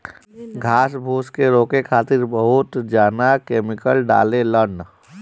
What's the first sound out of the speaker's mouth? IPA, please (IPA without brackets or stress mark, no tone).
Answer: ɡʱ